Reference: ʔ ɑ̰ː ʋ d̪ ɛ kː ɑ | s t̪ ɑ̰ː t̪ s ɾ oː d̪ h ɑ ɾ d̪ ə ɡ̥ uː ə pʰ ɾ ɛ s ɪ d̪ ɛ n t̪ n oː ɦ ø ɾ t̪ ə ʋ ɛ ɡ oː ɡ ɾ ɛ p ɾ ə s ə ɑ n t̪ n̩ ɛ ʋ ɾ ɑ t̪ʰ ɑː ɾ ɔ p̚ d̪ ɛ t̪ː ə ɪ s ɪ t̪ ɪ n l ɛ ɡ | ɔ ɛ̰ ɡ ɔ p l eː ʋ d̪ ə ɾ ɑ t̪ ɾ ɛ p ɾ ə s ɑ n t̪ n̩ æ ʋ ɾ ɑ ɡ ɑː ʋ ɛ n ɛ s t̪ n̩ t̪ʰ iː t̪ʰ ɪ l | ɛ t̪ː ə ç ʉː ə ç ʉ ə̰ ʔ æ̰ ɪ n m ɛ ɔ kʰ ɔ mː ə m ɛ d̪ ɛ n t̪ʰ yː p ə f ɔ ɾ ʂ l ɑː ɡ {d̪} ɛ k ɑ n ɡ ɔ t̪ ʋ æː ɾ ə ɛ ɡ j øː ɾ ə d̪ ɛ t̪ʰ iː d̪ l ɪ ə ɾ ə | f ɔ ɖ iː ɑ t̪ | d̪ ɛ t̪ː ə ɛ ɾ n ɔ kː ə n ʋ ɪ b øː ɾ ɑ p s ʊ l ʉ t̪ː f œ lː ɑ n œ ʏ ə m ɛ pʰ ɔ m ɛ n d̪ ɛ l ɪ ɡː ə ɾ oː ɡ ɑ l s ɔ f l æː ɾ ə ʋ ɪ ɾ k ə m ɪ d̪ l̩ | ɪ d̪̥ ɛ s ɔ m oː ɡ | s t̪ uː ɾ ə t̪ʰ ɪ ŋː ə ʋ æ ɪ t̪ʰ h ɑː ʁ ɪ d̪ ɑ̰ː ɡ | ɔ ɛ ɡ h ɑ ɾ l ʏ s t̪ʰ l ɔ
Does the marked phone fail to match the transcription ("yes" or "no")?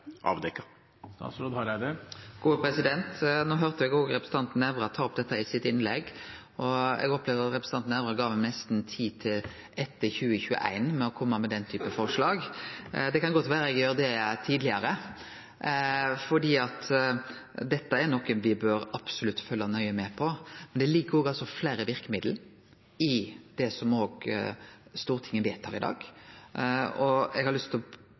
no